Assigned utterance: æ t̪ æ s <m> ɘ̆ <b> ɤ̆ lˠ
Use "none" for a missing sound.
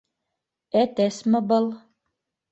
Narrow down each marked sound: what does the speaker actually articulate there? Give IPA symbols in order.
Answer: m, b

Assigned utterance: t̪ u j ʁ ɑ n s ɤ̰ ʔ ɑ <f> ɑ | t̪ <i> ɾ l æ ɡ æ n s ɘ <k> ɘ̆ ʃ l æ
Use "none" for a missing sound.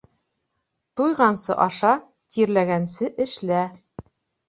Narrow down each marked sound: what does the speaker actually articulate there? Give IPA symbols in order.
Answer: ʃ, i, ʔ

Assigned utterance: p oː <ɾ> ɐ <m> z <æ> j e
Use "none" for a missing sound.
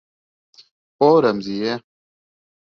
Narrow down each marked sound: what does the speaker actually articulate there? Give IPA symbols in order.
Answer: ɾ, m, i

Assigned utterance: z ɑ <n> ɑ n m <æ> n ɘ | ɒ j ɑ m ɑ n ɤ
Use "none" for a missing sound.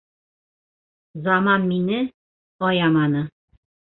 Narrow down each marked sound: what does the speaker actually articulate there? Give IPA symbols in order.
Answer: m, i

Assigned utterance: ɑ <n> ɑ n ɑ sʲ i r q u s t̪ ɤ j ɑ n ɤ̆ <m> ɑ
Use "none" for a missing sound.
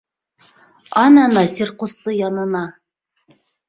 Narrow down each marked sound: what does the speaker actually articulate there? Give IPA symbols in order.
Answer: n, n

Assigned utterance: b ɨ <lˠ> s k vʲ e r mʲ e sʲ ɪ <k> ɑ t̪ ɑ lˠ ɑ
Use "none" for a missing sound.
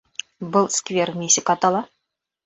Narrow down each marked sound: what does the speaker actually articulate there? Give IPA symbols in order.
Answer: lˠ, k

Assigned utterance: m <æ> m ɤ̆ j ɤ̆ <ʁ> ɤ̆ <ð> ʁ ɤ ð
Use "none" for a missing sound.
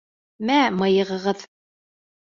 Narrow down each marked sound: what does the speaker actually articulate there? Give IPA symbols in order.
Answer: æ, ʁ, none

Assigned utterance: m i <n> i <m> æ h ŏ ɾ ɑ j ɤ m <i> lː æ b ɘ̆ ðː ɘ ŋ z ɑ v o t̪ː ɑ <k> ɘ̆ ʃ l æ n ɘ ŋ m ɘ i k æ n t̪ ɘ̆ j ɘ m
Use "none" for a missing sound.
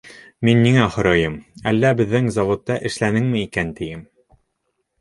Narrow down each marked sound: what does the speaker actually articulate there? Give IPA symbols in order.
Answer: nː, ŋ, æ, ʔ

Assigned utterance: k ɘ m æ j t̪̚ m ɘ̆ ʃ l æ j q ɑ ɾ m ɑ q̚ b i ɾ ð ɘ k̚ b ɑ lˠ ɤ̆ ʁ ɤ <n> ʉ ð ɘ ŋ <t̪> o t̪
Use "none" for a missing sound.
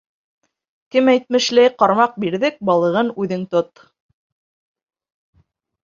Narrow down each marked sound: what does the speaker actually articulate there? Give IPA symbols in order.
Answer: n, t̪

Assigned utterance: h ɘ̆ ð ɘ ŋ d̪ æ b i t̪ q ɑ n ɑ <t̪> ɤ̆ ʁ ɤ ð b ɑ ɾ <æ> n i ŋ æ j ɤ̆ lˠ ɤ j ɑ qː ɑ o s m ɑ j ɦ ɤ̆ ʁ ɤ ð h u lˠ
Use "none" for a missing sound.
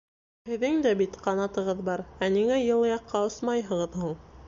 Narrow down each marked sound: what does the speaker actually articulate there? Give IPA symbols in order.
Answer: t̪, æ

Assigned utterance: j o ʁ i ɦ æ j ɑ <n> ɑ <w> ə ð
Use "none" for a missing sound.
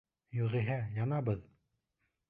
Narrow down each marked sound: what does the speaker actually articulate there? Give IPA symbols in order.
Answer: n, b

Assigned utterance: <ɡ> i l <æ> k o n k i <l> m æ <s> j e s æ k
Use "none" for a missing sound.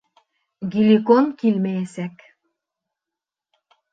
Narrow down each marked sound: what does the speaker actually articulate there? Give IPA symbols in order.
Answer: ɡ, i, l, none

